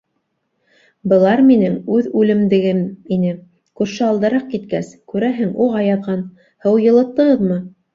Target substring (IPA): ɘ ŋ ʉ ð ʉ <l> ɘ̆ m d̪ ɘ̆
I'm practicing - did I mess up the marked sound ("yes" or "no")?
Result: no